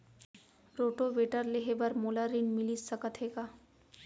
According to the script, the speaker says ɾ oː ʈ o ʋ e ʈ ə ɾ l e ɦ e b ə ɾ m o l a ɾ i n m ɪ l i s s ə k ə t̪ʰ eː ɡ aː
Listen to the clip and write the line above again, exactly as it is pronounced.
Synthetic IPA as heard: ɾ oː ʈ o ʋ e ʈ ə ɾ l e ɦ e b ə ɾ m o l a ɾ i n m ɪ l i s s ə k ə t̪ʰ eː ɡ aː